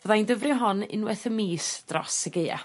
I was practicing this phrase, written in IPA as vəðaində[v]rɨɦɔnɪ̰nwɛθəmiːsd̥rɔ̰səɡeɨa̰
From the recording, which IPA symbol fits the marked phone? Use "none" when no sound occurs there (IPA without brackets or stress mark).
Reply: v